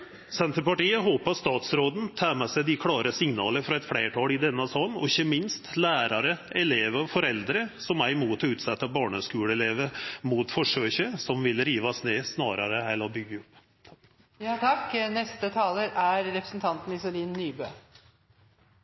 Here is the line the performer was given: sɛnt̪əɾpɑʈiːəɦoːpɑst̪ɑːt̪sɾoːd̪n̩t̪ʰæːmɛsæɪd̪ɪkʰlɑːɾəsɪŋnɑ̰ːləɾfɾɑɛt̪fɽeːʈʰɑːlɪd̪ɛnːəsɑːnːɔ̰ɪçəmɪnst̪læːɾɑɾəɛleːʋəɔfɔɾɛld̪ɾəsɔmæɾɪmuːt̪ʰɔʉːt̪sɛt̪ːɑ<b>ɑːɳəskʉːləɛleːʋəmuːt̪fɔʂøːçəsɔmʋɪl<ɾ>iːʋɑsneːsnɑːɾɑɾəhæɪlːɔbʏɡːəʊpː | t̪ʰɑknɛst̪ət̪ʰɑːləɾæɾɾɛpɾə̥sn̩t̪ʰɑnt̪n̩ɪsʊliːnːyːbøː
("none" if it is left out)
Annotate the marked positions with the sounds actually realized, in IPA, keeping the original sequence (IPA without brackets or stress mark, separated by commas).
b, ɾ